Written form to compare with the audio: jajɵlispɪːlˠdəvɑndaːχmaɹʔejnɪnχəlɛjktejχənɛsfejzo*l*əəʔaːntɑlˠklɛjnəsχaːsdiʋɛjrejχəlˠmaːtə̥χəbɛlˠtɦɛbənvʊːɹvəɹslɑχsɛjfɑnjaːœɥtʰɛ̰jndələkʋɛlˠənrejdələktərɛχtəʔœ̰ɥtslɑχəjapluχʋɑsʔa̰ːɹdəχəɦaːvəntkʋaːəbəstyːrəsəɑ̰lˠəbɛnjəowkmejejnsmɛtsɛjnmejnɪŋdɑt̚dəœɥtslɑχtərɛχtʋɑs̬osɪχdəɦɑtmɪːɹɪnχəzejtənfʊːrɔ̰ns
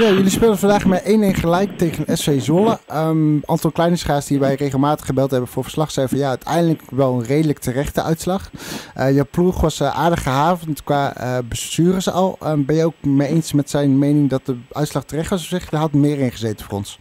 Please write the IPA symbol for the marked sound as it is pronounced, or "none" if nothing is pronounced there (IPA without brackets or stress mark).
l